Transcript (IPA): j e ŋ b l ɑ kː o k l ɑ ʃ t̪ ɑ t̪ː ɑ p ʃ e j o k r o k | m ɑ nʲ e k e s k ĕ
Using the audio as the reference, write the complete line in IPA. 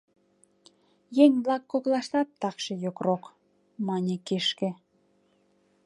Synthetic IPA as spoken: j e ŋ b l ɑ kː o k l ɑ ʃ t̪ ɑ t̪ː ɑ k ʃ e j o k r o k | m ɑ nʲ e k e ʃ k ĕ